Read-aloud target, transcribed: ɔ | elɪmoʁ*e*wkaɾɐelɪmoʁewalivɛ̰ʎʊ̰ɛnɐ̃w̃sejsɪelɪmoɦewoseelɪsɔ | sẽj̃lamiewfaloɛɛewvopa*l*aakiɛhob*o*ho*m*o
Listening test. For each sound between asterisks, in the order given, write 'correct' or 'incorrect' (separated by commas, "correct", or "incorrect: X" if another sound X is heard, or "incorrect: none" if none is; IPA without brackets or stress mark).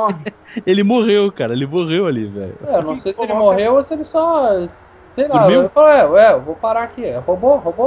correct, incorrect: ɾ, correct, incorrect: b